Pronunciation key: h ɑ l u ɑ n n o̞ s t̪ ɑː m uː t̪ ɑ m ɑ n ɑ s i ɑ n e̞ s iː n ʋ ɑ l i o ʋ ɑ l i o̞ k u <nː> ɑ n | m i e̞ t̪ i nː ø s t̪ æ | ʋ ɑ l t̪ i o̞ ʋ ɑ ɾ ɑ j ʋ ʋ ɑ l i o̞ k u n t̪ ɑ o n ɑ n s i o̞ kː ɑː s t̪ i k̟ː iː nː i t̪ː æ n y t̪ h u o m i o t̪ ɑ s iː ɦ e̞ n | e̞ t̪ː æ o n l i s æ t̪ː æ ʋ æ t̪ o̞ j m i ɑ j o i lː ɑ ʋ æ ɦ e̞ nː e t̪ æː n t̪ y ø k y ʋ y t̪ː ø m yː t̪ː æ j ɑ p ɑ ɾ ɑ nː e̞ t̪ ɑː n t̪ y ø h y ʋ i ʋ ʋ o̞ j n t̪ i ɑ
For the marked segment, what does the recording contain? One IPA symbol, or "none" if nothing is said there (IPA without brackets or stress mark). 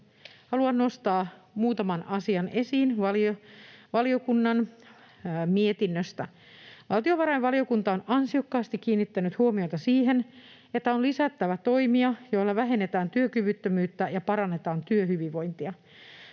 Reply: nː